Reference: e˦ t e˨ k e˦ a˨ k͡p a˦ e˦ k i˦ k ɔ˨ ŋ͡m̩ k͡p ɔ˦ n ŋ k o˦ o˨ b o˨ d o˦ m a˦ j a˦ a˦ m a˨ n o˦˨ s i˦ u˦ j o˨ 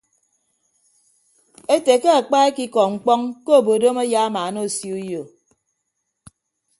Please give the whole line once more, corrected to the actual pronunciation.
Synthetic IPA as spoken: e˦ t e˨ k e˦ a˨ k͡p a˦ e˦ k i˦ k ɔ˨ ŋ͡m̩ k͡p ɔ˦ ŋ k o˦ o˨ b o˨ d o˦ m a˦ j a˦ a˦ m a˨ n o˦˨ s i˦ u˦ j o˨